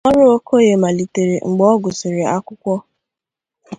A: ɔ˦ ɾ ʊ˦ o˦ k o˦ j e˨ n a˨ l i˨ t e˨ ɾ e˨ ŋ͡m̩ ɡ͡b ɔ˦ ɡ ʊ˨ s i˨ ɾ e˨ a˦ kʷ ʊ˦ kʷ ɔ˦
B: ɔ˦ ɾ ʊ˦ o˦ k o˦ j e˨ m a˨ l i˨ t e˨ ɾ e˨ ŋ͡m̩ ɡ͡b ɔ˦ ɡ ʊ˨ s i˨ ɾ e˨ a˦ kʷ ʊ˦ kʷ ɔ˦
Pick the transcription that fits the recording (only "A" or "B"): B